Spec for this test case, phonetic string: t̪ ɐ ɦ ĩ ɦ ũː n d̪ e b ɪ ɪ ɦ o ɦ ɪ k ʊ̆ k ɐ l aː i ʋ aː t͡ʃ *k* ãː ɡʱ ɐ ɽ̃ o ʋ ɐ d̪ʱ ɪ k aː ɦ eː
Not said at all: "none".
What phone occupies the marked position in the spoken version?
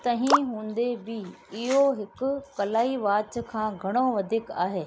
kʰ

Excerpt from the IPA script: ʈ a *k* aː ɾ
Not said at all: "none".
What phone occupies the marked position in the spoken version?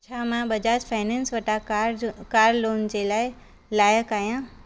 k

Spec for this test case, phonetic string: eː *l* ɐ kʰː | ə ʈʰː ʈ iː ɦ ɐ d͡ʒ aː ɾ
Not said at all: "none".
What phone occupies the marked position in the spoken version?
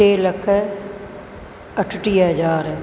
l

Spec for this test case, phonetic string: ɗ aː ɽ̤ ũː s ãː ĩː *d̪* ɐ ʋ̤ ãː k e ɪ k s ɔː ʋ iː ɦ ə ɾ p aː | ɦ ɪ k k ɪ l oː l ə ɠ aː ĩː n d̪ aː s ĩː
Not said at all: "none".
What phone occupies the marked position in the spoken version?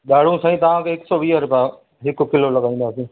t̪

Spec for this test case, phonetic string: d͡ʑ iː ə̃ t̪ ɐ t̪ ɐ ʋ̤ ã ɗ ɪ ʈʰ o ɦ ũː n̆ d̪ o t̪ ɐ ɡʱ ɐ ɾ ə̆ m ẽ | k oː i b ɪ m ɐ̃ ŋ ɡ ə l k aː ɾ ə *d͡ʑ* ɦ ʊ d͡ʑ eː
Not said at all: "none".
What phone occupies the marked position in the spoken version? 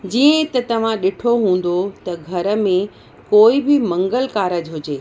d͡ʑ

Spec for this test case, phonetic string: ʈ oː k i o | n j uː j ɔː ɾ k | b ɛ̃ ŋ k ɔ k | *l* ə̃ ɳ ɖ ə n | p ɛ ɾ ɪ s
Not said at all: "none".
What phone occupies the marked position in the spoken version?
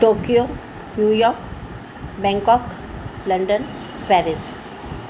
l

